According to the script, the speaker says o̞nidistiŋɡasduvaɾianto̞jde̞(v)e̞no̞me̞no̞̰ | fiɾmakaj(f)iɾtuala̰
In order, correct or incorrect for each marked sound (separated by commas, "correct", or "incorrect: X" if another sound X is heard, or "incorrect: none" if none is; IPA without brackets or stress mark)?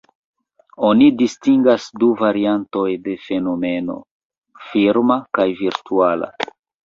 incorrect: f, incorrect: v